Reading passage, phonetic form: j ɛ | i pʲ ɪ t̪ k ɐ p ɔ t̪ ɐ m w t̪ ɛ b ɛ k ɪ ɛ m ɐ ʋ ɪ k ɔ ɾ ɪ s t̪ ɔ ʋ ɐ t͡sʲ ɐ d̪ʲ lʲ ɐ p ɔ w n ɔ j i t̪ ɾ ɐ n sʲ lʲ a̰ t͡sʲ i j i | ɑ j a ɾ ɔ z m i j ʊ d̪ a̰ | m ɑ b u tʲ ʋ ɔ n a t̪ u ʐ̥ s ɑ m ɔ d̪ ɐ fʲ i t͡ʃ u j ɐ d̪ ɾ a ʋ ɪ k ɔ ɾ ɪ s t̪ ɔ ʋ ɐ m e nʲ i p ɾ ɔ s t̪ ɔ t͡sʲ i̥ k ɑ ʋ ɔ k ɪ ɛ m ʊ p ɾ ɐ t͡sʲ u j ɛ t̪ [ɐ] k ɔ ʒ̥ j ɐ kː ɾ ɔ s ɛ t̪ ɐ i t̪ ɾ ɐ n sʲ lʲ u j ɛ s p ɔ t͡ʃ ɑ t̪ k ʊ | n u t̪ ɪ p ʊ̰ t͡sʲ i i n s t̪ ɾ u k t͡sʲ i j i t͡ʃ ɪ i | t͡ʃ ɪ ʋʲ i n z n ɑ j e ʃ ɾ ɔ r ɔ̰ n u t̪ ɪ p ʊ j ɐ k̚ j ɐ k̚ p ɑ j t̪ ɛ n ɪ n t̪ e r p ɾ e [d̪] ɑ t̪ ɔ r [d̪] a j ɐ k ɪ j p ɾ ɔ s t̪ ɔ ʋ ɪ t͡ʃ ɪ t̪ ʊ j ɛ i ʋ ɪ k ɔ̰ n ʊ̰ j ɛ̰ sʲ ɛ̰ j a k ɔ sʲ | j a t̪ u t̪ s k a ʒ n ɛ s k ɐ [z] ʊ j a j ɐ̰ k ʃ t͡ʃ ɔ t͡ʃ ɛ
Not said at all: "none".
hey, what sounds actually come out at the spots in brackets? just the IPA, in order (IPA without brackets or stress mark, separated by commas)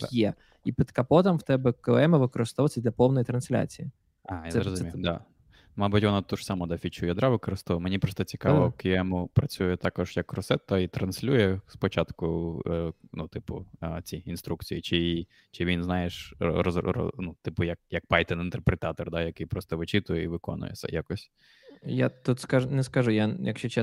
ɑ, t̪, d̪, ʒ